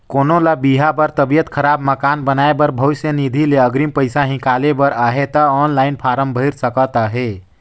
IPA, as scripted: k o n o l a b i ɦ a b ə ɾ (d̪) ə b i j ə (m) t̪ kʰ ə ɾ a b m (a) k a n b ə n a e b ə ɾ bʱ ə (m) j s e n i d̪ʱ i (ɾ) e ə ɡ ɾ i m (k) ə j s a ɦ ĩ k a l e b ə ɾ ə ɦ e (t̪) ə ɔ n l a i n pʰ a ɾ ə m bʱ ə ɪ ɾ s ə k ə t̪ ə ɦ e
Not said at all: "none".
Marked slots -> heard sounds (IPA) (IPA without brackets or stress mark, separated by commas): t̪, none, ə, none, l, p, t̪